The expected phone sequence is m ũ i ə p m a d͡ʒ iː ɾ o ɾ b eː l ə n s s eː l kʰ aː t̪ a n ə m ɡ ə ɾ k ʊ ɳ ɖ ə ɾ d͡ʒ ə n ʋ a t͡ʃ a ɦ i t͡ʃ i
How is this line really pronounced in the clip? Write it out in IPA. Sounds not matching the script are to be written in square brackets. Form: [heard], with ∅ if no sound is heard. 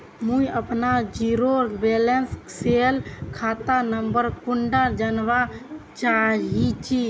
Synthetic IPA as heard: m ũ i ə p [n] a d͡ʒ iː ɾ o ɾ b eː l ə n s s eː l kʰ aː t̪ a n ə m [b] ə ɾ k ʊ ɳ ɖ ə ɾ d͡ʒ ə n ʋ a t͡ʃ a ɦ i t͡ʃ i